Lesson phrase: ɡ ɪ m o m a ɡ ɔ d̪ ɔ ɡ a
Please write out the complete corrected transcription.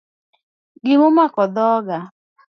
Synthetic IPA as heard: ɡ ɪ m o m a k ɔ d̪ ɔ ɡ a